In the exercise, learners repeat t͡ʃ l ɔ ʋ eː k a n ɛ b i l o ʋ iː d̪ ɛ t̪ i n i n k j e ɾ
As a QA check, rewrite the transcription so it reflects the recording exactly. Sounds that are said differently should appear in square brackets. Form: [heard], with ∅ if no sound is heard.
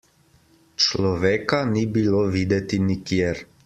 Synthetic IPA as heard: t͡ʃ l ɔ ʋ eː k a n [i] b i l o ʋ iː d̪ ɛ t̪ i n i [∅] k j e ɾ